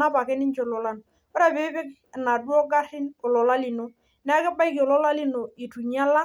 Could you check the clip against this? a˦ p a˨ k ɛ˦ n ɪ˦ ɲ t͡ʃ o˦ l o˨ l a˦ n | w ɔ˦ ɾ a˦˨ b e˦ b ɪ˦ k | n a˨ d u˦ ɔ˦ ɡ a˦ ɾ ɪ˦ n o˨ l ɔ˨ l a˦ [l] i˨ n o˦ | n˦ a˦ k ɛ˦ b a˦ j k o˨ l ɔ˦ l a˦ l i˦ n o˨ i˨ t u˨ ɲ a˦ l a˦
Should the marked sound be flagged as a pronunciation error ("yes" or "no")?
no